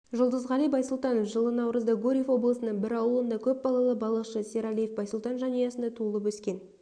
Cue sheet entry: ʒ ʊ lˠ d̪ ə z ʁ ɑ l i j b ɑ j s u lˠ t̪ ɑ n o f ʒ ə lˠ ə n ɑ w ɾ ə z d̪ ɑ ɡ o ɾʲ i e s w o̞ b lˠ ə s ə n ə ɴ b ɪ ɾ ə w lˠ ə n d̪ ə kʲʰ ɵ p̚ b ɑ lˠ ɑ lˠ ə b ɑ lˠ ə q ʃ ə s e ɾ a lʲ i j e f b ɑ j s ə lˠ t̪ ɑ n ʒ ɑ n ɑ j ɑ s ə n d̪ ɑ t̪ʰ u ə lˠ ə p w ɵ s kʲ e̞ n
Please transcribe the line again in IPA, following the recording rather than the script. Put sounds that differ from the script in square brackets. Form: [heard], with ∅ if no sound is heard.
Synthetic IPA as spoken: ʒ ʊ lˠ d̪ ə z ʁ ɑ l i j b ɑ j s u lˠ t̪ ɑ n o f ʒ ə lˠ ə n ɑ w ɾ ə z d̪ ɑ ɡ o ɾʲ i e [f] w o̞ b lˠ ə s ə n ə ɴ b ɪ ɾ [ɑ] w lˠ ə n d̪ [ɑ] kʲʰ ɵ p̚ b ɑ lˠ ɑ lˠ ə b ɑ lˠ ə q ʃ ə s e ɾ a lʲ i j e f b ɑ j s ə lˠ t̪ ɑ n ʒ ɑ n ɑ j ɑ s ə n d̪ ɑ t̪ʰ u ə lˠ ə p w ɵ s kʲ e̞ n